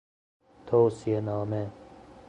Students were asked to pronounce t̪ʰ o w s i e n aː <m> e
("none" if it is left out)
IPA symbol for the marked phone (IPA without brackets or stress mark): m